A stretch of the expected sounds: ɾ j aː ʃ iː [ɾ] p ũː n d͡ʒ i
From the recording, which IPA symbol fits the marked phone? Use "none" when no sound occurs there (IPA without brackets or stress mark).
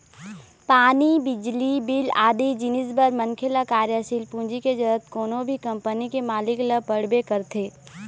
l